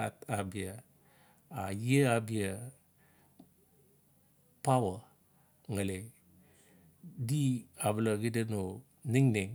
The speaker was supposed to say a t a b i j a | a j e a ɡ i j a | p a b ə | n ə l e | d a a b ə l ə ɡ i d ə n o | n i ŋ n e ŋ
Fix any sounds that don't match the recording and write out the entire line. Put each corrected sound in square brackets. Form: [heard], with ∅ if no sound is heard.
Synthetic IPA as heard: a t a b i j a | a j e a [b] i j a | p a [w] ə | [ŋ] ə l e | d [i] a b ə l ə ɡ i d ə n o | n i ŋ n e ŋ